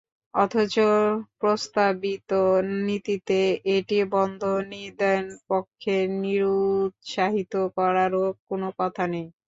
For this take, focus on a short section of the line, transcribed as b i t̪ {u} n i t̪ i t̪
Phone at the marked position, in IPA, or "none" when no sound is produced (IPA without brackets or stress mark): o